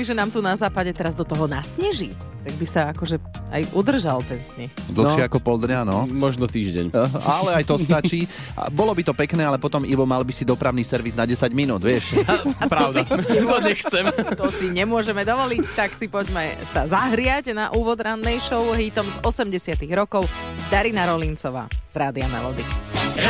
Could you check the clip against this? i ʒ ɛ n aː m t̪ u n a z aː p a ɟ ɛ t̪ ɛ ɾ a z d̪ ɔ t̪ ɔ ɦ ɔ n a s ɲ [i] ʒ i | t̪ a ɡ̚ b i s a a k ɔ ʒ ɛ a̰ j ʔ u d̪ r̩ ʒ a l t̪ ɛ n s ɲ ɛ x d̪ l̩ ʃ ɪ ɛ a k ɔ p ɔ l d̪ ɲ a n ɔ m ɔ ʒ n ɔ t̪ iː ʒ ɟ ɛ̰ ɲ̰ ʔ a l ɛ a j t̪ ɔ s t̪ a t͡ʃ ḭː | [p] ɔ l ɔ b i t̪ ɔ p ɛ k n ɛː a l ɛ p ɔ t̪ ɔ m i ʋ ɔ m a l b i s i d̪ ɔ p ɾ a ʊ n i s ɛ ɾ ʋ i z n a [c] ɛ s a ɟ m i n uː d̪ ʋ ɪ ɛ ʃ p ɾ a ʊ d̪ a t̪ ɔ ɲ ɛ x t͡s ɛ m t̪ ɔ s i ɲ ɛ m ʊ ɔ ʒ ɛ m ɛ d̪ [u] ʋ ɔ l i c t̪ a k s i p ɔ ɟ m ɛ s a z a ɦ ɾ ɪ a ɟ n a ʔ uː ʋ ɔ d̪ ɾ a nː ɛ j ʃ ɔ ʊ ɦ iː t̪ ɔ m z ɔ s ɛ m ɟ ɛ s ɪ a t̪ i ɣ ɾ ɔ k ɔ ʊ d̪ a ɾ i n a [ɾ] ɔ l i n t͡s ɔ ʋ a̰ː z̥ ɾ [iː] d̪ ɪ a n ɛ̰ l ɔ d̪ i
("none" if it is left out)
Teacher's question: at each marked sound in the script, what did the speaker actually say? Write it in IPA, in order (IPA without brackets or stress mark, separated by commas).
ɛ, b, ɟ, ɔ, ɾ, aː